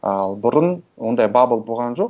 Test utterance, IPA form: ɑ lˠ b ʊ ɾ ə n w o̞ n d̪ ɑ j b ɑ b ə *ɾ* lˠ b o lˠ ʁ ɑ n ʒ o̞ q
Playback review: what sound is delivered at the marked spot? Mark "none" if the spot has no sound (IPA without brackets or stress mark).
none